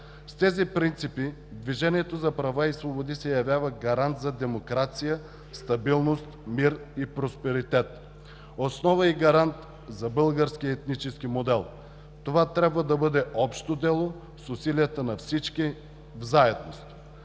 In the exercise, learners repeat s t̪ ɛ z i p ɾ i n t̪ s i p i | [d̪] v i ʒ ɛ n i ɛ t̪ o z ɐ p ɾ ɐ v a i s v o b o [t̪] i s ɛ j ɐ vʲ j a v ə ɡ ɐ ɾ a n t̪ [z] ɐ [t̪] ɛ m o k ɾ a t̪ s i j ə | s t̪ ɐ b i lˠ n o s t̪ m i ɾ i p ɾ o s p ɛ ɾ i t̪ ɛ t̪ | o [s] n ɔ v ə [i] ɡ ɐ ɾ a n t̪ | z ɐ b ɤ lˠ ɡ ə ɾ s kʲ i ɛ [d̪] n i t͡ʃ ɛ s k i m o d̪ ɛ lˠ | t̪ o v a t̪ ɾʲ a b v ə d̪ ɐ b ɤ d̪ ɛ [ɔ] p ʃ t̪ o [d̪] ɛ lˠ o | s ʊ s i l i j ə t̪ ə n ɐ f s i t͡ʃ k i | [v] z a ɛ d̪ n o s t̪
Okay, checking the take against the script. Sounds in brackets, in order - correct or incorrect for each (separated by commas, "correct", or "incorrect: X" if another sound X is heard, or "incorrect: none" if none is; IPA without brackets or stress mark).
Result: correct, incorrect: d̪, correct, incorrect: d̪, correct, correct, incorrect: t̪, correct, correct, correct